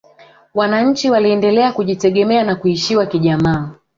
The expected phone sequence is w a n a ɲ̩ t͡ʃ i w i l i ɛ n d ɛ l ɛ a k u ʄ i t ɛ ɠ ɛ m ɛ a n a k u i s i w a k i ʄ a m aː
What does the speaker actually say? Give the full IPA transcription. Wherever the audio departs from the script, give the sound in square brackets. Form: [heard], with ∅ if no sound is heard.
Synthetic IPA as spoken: w a n a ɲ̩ t͡ʃ i w [a] l i ɛ n d ɛ l ɛ a k u ʄ i t ɛ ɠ ɛ m ɛ a n a k u i [ʃ] i w a k i ʄ a m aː